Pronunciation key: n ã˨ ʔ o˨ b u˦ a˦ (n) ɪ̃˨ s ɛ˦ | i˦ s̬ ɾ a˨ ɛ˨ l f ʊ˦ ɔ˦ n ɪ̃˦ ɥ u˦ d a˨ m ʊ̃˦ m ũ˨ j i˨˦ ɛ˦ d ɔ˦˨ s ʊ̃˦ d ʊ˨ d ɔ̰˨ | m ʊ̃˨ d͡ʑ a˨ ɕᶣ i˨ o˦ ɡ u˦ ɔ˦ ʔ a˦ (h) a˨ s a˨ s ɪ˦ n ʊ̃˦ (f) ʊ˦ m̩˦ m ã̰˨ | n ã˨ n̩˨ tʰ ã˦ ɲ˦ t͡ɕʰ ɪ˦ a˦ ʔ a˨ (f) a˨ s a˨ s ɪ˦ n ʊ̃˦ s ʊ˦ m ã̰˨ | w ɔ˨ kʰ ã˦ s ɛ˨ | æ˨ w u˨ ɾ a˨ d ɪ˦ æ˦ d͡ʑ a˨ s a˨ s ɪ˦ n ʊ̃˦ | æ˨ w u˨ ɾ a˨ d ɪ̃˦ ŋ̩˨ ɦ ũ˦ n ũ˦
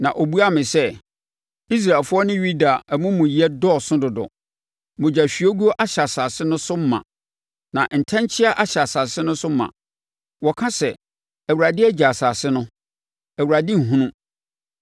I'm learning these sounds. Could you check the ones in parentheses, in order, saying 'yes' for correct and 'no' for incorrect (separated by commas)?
no, no, no, no